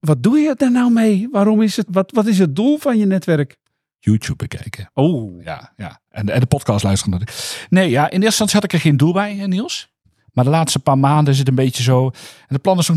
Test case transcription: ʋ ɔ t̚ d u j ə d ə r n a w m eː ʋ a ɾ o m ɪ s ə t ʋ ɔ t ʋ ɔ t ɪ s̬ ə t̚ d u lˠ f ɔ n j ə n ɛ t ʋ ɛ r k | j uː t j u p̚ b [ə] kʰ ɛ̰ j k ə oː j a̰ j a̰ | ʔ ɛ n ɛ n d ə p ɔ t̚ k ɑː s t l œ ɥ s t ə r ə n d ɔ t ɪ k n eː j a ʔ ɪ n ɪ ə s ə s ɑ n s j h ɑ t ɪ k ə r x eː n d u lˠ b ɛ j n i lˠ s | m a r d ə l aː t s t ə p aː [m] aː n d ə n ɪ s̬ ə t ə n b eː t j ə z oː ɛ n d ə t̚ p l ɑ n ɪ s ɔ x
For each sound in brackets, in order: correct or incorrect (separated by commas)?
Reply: correct, correct